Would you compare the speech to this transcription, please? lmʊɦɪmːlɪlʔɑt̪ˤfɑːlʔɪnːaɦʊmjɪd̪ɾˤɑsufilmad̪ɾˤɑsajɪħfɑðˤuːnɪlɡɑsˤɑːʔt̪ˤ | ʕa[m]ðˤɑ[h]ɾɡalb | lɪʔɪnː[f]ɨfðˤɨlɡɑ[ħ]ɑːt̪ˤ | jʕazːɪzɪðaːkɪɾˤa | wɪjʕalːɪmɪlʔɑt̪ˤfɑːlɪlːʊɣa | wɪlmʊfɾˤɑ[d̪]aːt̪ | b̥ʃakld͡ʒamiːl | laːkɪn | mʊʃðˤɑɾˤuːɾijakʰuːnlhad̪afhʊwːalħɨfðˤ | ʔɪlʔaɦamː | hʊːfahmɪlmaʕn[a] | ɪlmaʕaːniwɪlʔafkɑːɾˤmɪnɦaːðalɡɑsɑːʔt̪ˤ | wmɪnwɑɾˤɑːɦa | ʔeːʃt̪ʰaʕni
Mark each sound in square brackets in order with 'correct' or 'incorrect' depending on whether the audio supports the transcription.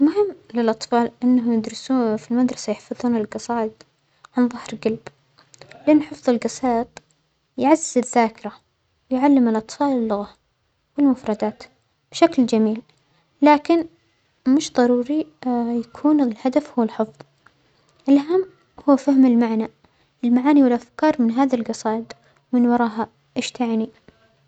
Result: incorrect: n, correct, incorrect: ħ, incorrect: s, correct, correct

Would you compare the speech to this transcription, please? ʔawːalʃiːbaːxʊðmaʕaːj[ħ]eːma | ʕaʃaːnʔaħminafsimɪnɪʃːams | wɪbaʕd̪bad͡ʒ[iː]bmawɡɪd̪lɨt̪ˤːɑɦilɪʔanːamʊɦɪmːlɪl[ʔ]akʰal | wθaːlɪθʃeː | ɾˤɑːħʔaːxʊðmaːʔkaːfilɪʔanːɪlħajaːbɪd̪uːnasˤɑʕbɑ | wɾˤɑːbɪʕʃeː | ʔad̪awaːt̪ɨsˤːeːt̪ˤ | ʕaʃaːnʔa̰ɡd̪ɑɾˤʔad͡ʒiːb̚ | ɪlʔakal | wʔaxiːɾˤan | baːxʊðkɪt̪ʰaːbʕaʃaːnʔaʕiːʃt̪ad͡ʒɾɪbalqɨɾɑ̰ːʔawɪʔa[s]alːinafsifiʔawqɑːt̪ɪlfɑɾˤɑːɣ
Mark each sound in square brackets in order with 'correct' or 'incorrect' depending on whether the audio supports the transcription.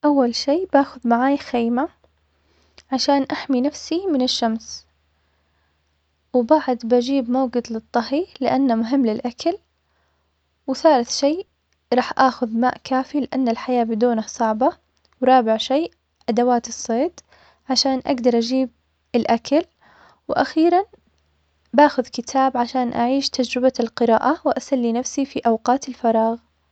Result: incorrect: x, correct, correct, correct

